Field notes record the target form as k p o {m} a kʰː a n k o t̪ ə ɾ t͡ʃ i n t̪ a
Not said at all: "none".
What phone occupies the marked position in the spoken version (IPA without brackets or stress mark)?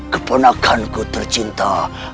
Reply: n